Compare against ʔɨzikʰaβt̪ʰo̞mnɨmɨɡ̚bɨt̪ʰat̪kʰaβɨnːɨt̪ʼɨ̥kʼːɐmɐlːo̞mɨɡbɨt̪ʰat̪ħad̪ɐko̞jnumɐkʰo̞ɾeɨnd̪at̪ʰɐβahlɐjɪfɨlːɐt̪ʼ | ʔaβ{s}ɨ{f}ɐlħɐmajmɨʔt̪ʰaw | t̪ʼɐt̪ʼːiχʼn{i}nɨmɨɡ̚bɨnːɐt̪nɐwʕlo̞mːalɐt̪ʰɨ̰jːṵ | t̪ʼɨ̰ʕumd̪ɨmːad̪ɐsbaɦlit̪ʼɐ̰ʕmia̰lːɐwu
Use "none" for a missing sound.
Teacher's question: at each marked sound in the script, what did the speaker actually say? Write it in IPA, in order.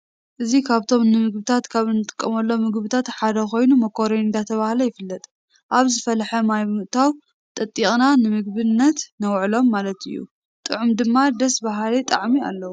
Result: z, f, a

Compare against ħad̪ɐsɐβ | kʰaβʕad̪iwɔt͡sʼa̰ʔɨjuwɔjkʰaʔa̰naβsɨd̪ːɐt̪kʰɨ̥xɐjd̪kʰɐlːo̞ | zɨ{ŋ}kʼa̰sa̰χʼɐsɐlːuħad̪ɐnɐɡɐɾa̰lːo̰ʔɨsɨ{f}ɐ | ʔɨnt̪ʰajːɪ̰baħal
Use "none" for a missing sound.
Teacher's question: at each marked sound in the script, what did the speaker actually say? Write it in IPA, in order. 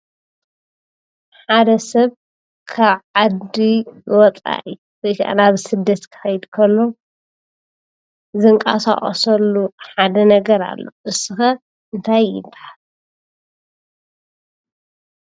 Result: ŋ, x

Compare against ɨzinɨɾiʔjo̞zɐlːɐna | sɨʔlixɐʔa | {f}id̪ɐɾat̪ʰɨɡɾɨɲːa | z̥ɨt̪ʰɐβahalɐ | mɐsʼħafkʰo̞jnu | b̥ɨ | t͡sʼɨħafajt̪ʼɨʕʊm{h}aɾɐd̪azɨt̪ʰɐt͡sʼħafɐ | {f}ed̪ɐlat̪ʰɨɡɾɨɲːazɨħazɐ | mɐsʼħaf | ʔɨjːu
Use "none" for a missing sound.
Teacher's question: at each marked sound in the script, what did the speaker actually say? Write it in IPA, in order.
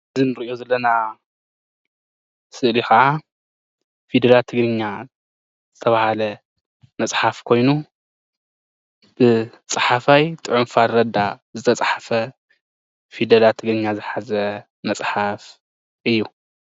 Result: f, f, f

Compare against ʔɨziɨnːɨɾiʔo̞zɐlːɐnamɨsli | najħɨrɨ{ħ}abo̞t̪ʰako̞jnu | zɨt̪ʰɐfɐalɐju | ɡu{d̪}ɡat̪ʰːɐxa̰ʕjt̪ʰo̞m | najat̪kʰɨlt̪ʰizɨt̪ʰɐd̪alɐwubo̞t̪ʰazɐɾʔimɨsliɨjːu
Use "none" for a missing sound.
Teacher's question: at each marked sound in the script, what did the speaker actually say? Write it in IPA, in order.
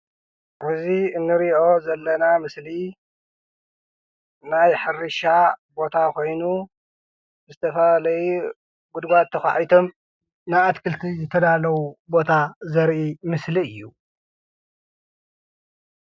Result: ʃ, d̪

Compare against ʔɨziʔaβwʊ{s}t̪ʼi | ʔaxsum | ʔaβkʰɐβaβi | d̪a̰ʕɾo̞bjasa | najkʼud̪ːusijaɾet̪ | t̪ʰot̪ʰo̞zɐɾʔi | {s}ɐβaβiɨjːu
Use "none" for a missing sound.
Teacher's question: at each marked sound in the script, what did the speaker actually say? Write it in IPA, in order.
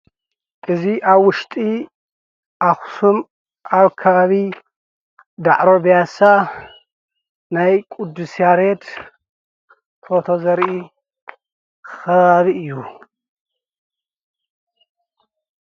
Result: ʃ, x

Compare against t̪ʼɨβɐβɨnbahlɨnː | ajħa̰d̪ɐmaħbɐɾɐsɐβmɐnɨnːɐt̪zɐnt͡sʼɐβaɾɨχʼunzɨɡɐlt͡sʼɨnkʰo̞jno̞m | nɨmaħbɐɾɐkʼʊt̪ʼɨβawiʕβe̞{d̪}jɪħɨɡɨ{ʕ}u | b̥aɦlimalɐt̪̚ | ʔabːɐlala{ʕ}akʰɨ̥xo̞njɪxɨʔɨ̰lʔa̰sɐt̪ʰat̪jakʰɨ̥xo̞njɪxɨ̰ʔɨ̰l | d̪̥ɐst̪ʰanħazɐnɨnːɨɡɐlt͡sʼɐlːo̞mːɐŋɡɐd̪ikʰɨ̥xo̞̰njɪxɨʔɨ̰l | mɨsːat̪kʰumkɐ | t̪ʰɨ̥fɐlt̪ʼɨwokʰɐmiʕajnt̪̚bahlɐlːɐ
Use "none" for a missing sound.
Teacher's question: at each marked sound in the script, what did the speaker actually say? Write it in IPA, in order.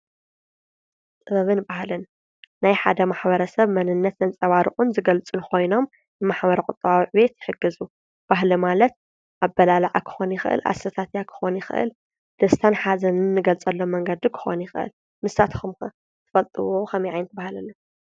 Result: t̪, z, ʕ

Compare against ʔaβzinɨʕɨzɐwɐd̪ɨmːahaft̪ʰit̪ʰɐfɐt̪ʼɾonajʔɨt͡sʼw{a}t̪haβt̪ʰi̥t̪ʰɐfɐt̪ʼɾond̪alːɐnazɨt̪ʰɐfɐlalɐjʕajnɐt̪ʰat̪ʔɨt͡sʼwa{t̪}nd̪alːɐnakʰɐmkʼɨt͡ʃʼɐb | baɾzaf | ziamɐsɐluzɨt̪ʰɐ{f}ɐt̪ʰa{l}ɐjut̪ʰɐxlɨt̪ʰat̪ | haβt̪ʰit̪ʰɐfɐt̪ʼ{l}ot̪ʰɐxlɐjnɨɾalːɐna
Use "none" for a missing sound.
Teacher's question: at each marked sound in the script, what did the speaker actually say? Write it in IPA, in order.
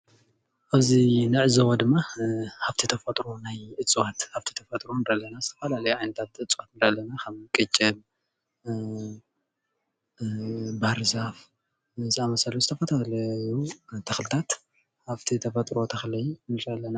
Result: a, t̪, f, l, ɾ

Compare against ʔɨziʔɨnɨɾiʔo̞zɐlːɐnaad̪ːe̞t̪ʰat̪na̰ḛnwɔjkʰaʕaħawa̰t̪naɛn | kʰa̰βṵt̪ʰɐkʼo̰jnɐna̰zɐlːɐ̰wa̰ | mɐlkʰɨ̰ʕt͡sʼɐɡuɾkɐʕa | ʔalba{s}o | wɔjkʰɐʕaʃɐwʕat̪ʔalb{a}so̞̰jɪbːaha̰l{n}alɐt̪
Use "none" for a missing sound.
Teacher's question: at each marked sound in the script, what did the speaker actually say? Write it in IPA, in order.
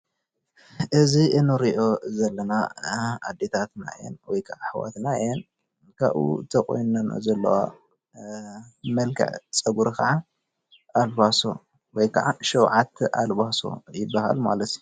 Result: s, a, m

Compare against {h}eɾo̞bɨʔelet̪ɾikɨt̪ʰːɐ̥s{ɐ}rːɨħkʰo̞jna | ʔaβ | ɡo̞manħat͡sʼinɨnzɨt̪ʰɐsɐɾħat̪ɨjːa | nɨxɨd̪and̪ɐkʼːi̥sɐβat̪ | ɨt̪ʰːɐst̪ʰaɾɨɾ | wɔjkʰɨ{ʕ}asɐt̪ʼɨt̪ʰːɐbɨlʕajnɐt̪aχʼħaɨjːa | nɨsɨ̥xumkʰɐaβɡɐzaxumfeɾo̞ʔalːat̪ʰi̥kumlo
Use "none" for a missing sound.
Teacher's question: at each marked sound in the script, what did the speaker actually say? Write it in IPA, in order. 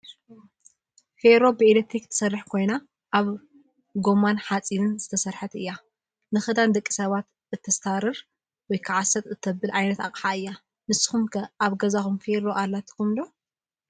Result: f, ɐ, ʕ

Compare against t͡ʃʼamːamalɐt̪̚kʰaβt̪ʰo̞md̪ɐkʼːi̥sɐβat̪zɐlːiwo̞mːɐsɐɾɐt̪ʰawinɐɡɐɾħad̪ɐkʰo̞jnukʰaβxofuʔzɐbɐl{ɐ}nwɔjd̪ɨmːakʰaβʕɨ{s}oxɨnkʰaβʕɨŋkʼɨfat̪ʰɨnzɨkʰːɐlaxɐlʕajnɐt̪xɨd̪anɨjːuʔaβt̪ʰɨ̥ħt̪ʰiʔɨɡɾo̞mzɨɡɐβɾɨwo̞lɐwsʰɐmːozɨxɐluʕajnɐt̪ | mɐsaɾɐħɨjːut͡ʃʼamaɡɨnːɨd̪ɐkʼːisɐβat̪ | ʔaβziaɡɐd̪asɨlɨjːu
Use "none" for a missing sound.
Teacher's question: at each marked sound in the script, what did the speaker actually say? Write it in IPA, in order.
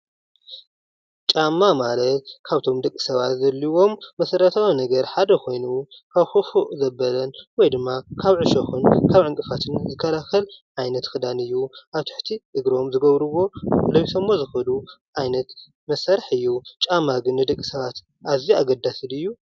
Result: ɐ, ʃ

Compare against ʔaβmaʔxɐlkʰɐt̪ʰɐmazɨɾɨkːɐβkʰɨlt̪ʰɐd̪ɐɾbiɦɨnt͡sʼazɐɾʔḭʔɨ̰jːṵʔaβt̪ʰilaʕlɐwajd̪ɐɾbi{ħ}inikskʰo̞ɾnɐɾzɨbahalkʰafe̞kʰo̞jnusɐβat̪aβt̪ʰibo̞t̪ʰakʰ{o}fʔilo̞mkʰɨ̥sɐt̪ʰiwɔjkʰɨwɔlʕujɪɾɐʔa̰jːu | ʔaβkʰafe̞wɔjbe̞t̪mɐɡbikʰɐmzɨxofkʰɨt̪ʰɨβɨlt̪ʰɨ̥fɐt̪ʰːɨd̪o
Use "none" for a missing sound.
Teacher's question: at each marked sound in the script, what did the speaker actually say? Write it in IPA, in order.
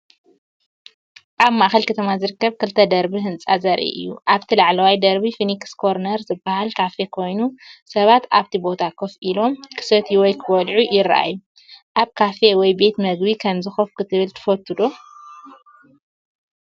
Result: f, o

